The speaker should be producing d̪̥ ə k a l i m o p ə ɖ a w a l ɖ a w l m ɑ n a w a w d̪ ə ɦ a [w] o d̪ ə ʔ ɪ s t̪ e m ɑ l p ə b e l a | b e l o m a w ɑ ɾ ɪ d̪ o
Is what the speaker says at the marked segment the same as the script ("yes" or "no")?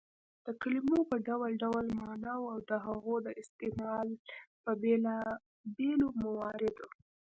no